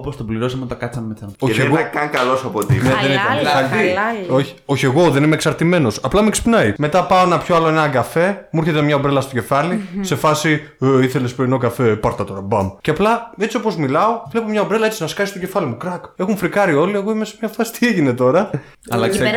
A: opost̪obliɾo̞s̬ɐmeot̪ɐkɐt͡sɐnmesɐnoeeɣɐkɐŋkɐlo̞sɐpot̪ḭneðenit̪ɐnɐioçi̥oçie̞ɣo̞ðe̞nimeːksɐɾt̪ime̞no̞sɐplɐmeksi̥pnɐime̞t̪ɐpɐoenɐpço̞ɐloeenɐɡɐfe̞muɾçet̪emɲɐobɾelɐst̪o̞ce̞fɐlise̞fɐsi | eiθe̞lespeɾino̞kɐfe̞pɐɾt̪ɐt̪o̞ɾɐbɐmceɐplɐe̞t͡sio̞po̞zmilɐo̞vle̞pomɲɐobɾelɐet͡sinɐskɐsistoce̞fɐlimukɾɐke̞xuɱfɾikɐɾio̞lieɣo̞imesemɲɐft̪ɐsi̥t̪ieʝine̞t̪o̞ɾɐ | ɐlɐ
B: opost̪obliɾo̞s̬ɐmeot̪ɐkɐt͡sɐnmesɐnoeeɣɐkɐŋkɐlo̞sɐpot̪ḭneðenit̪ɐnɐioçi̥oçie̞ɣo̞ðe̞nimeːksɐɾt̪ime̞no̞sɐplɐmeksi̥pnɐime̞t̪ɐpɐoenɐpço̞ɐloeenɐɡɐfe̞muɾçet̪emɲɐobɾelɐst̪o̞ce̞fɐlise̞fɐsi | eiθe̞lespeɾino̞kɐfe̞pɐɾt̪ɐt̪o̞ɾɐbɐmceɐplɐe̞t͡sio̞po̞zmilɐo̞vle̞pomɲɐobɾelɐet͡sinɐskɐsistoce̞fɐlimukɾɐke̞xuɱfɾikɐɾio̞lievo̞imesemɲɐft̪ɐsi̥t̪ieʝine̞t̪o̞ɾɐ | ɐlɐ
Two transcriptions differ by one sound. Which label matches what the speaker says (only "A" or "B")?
A